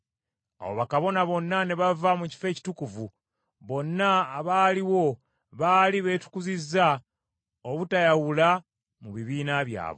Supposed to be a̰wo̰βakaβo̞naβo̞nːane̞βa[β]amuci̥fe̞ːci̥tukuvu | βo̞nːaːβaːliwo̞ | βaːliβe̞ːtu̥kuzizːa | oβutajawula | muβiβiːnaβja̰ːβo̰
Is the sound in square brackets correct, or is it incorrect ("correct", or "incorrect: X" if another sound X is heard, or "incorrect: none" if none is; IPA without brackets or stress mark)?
incorrect: v